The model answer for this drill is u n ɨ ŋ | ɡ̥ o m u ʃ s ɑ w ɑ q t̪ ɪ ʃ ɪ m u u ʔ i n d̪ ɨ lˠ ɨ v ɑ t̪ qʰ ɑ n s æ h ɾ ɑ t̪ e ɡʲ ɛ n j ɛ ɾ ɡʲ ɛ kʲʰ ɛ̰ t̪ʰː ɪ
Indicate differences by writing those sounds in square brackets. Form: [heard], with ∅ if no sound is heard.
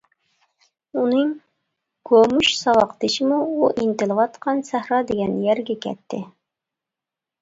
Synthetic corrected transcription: u n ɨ ŋ | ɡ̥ o m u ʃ s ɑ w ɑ q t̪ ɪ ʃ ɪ m u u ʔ i n [t̪] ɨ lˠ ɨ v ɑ t̪ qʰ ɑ n s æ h ɾ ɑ [d̪] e ɡʲ ɛ n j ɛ ɾ ɡʲ ɛ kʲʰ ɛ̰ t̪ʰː ɪ